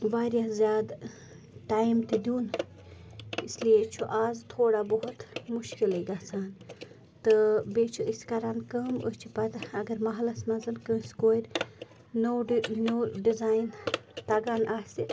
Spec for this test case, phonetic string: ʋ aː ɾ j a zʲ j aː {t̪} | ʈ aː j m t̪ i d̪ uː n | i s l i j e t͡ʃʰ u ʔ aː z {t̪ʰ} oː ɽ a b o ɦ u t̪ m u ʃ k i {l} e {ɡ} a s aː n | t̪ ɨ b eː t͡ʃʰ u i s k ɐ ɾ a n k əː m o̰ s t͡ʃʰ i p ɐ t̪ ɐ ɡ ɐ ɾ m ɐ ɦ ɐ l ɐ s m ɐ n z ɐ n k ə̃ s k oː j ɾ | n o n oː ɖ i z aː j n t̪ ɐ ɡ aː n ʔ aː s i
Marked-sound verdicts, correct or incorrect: incorrect: d̪, correct, correct, correct

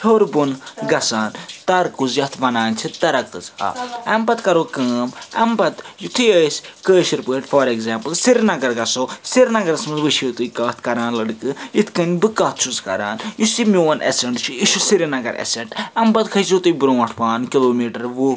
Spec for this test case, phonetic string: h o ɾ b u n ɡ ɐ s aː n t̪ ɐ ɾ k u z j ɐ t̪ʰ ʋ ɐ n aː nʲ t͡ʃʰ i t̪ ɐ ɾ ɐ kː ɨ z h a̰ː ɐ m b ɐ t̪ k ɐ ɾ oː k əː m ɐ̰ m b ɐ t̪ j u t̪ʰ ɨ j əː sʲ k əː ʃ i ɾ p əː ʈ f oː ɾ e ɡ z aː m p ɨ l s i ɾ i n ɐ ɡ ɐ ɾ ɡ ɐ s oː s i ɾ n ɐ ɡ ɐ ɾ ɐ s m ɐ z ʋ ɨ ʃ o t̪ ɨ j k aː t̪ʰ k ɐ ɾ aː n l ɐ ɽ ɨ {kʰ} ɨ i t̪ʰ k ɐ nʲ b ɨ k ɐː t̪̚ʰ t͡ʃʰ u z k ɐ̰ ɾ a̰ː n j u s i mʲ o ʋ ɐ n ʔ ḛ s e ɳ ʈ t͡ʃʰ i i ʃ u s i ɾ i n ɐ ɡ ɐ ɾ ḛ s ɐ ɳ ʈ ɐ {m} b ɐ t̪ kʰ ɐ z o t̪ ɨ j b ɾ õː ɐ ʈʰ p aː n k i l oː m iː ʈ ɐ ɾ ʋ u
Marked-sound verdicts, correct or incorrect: incorrect: k, correct

